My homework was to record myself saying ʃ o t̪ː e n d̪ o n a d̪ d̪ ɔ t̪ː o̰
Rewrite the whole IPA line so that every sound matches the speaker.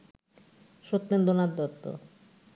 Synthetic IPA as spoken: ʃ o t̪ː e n d̪ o n a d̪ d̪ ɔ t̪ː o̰

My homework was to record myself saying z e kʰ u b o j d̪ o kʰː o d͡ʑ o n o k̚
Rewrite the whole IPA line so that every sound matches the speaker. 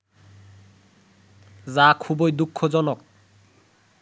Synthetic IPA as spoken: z a kʰ u b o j d̪ u kʰː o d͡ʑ ɔ n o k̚

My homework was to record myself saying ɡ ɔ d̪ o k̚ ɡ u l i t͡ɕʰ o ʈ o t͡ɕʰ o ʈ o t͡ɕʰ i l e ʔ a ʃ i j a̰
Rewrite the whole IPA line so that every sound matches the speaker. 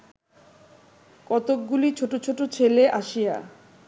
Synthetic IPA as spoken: k ɔ t̪ o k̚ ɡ u l i t͡ɕʰ o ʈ o t͡ɕʰ o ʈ o t͡ɕʰ e l e ʔ a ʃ i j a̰

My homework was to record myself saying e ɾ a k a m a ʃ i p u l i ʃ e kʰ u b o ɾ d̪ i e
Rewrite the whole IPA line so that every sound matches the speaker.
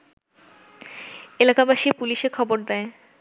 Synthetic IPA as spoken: e l a k a b a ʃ i p u l i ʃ e kʰ ɔ b o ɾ d̪ ɛ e

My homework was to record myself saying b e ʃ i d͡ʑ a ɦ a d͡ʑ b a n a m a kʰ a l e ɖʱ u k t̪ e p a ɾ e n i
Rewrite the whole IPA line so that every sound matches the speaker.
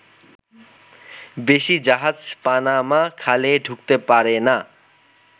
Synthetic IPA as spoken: b e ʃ i d͡ʑ a ɦ a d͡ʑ p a n a m a kʰ a l e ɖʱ u k t̪ e p a ɾ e n a

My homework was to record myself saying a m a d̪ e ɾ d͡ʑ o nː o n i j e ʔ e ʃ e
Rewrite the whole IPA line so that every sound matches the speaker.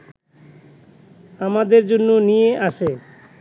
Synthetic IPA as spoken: a m a d̪ e ɾ d͡ʑ o nː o n i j e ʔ a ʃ e

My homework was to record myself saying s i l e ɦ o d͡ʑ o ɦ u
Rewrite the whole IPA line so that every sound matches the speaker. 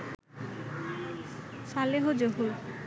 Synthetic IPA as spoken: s a l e ɦ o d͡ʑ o ɦ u

